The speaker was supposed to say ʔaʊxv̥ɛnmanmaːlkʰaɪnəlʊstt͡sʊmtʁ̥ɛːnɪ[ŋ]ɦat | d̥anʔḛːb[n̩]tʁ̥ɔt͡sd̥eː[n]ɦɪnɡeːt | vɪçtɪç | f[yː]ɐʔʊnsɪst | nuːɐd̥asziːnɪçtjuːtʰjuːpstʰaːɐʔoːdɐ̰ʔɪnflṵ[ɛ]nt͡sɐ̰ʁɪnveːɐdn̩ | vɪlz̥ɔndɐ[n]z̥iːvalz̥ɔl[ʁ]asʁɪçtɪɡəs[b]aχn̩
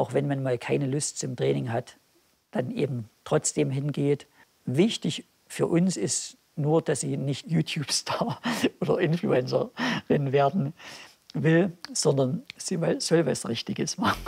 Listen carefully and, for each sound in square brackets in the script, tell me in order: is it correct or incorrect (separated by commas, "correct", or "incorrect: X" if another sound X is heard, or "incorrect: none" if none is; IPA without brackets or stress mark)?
correct, incorrect: m̩, incorrect: m, correct, correct, correct, incorrect: v, incorrect: m